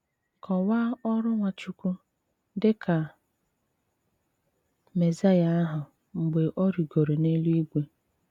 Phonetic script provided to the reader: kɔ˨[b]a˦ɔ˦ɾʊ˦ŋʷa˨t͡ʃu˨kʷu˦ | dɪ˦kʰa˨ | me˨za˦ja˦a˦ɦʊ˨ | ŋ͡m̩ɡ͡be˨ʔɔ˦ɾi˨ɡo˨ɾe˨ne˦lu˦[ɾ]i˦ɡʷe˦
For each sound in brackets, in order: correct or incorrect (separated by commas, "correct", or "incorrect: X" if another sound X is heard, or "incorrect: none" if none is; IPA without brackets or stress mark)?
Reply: incorrect: w, incorrect: none